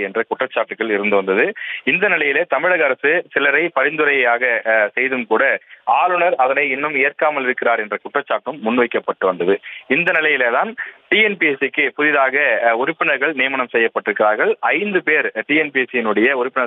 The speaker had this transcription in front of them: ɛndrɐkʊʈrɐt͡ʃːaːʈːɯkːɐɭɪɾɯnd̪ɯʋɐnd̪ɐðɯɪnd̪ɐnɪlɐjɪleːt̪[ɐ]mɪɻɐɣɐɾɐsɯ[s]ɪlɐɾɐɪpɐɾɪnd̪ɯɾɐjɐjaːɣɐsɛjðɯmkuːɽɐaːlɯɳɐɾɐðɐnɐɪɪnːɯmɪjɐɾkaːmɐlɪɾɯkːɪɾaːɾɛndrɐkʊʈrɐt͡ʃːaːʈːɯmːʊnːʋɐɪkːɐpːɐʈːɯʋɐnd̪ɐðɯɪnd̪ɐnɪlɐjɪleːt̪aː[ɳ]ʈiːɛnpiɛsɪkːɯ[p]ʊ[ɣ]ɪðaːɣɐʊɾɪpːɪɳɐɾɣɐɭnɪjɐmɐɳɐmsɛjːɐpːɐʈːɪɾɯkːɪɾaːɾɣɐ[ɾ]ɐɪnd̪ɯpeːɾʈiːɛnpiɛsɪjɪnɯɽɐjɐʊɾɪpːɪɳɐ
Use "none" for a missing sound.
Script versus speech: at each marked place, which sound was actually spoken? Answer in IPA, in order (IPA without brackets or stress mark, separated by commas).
ɐ, s, n, p, ð, ɭ